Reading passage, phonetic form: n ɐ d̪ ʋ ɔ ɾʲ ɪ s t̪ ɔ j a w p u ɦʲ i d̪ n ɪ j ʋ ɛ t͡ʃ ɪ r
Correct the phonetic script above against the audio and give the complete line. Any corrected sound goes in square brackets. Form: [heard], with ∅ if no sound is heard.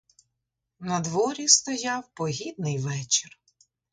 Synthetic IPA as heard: n ɐ d̪ ʋ ɔ ɾʲ [i] s t̪ ɔ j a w p [ɔ] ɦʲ i d̪ n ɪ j ʋ ɛ t͡ʃ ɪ r

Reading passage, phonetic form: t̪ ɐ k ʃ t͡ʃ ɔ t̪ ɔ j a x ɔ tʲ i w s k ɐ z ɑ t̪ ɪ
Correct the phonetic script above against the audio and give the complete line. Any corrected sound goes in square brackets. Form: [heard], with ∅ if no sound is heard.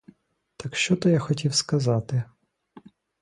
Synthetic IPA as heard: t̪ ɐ k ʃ t͡ʃ ɔ t̪ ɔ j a x ɔ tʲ i w s k ɐ z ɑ t̪ ɪ

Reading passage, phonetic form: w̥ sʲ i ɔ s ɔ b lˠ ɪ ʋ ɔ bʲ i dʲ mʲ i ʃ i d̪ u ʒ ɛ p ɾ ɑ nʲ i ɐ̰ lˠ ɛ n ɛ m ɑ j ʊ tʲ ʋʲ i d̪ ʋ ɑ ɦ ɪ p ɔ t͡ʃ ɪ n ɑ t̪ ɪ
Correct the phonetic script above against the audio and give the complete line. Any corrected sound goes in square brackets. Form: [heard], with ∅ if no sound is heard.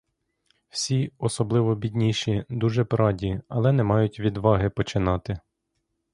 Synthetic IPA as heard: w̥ sʲ i ɔ s ɔ b lˠ ɪ ʋ ɔ bʲ i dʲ [nʲ] i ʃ i d̪ u ʒ ɛ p ɾ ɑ [dʲ] i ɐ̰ lˠ ɛ n ɛ m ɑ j ʊ tʲ ʋʲ i d̪ ʋ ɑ ɦ ɪ p ɔ t͡ʃ ɪ n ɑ t̪ ɪ

